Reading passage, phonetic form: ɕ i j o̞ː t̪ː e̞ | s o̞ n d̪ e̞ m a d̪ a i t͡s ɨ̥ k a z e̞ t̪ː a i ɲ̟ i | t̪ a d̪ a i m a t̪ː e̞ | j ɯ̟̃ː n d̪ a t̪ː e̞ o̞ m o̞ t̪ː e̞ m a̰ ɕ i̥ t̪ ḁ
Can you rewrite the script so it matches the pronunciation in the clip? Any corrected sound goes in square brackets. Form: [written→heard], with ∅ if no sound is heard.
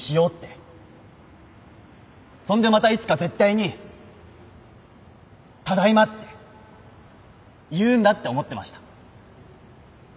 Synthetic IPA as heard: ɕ i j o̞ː t̪ː e̞ | s [o̞→õ̞] n d̪ e̞ m a [d̪→t̪] a i t͡s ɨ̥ k a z e̞ t̪ː a i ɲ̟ i | t̪ a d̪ a i m a t̪ː e̞ | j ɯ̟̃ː n d̪ a t̪ː e̞ o̞ m o̞ t̪ː e̞ m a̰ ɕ i̥ t̪ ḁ